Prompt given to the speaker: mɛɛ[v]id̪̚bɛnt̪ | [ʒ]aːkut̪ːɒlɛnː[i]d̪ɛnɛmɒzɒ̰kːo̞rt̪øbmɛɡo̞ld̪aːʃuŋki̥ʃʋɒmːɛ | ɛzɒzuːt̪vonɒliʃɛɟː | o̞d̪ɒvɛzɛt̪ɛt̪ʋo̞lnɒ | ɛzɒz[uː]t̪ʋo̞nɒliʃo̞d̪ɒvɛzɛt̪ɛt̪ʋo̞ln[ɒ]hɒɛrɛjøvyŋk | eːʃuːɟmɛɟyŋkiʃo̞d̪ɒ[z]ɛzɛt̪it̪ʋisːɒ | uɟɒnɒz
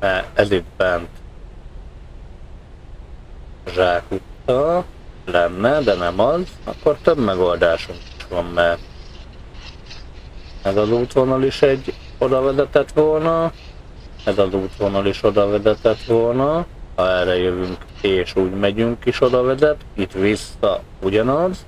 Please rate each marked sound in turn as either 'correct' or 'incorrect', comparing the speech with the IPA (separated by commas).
incorrect, correct, incorrect, correct, correct, incorrect